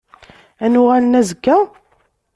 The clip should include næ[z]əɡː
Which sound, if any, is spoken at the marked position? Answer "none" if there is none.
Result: z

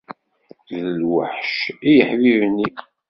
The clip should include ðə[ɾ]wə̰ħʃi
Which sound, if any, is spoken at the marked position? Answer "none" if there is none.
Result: l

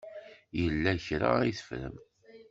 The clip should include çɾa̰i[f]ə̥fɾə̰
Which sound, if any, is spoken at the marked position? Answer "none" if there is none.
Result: θ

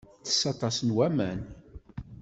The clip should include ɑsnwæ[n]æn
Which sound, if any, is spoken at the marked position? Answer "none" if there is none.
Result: m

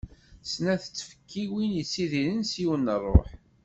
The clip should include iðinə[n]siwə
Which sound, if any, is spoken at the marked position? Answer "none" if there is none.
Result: n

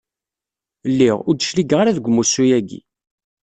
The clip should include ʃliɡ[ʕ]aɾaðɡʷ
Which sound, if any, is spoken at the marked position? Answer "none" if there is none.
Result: ʁ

